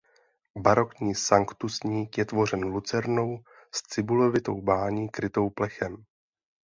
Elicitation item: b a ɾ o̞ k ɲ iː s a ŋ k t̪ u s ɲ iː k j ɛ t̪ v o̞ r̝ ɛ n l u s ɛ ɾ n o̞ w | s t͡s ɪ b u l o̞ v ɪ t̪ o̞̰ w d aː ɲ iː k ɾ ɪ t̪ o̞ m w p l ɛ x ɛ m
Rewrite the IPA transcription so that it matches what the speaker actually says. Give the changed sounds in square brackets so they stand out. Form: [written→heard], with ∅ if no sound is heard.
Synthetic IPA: b a ɾ o̞ k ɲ iː s a ŋ k t̪ u s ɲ iː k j ɛ t̪ v o̞ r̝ ɛ n l u [s→t͡s] ɛ ɾ n o̞ w | s t͡s ɪ b u l o̞ v ɪ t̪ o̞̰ w [d→b] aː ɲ iː k ɾ ɪ t̪ o̞ [m→∅] w p l ɛ x ɛ m